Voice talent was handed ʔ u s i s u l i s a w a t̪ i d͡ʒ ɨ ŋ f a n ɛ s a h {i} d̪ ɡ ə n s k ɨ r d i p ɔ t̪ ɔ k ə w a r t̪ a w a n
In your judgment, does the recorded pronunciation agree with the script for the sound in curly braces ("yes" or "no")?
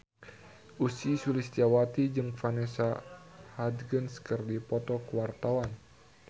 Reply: no